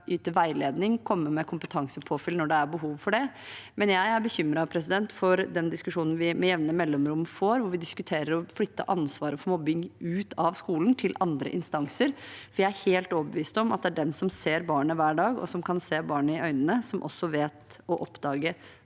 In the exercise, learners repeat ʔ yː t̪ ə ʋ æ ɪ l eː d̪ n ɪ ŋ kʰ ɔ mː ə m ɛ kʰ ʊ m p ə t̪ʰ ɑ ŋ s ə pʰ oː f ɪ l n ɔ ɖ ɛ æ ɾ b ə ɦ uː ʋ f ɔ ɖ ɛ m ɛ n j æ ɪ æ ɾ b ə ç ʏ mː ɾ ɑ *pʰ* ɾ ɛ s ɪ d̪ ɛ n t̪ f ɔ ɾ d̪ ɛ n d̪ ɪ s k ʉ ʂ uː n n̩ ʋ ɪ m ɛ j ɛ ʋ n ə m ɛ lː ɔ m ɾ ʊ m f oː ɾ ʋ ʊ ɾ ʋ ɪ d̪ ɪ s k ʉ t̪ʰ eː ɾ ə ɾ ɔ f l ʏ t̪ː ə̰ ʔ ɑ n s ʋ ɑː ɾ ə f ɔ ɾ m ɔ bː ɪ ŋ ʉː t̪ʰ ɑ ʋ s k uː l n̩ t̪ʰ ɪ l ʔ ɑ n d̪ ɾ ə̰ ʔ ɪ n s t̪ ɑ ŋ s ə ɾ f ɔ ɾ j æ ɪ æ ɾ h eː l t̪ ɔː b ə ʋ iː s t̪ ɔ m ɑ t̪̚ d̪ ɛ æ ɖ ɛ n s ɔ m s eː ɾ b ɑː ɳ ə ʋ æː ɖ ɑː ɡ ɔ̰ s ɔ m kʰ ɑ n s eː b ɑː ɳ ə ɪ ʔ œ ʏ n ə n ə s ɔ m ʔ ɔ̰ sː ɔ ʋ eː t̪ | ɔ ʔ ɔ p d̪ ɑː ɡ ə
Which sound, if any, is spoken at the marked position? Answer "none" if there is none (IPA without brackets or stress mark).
pʰ